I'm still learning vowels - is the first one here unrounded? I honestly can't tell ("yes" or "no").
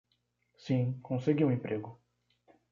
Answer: yes